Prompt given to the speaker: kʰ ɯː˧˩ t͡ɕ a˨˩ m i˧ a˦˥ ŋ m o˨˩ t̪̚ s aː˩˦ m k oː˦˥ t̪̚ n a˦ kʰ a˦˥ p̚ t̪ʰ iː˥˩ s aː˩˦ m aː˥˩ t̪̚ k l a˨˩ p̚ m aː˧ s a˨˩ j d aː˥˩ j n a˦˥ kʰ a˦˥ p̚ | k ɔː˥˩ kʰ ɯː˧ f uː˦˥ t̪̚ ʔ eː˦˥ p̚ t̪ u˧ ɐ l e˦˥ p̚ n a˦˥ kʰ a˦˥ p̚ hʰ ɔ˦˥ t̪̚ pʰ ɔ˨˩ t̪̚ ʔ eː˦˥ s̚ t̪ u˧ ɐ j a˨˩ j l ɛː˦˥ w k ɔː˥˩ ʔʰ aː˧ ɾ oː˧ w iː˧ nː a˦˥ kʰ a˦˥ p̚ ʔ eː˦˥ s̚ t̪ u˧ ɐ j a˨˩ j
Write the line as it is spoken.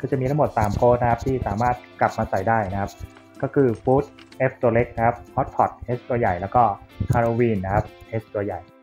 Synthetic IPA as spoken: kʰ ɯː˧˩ t͡ɕ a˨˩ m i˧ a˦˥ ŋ m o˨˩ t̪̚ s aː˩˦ m k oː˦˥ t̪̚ n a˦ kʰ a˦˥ p̚ t̪ʰ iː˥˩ s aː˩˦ m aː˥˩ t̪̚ k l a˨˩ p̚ m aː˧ s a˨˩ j d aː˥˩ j n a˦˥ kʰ a˦˥ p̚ | k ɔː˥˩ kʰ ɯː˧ f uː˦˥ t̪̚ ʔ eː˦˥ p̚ t̪ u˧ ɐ l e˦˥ k̚ n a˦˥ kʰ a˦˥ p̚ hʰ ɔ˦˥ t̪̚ pʰ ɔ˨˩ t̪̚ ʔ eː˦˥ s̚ t̪ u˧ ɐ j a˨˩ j l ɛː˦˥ w k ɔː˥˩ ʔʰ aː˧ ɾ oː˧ w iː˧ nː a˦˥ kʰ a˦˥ p̚ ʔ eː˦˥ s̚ t̪ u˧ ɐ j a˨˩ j